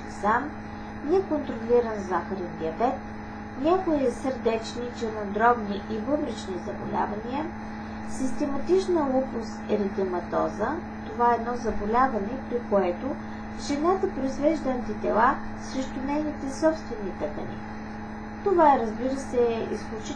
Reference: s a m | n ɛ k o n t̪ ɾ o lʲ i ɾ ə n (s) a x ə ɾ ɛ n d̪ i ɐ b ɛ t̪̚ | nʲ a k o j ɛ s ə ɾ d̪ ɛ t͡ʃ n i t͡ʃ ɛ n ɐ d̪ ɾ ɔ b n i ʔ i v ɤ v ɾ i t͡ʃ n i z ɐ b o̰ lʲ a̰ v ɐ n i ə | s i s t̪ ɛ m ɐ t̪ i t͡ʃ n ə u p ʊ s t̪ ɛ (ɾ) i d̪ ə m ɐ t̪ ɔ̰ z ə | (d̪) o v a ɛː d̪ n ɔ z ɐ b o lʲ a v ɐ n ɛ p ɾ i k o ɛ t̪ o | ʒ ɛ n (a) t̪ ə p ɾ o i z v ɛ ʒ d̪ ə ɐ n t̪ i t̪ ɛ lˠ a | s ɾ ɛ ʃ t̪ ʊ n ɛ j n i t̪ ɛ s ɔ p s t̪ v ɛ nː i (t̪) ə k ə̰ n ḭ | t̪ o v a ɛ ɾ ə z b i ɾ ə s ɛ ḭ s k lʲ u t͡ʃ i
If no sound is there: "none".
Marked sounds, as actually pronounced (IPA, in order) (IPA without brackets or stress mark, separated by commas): z, ɾ, t̪, a, t̪